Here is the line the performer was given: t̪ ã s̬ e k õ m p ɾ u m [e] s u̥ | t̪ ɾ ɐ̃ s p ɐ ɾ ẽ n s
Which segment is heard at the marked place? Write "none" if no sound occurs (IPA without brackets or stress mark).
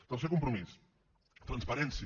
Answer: i